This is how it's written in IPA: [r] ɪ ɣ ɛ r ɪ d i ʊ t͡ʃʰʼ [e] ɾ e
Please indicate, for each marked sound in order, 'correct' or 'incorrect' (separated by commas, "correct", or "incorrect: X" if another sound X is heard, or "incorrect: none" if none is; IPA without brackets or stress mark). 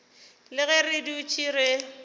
incorrect: l, incorrect: i